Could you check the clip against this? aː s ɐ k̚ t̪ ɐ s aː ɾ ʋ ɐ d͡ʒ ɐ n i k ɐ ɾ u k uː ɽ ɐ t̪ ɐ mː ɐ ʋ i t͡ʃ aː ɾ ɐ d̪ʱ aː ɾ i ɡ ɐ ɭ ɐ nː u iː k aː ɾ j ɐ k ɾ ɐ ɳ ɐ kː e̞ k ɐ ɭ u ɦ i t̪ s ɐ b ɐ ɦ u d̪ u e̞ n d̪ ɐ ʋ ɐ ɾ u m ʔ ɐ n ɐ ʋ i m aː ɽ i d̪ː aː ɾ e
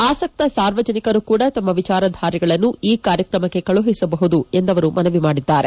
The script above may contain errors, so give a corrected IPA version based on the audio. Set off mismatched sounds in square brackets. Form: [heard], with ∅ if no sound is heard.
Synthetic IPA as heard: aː s ɐ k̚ t̪ ɐ s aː ɾ ʋ ɐ d͡ʒ ɐ n i k ɐ ɾ u k uː ɽ ɐ t̪ ɐ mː ɐ ʋ i t͡ʃ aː ɾ ɐ d̪ʱ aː ɾ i ɡ ɐ ɭ ɐ nː u iː k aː ɾ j ɐ k ɾ ɐ [m] ɐ kː e̞ k ɐ ɭ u ɦ i [∅] s ɐ b ɐ ɦ u d̪ u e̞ n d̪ ɐ ʋ ɐ ɾ u m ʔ ɐ n ɐ ʋ i m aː ɽ i d̪ː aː ɾ e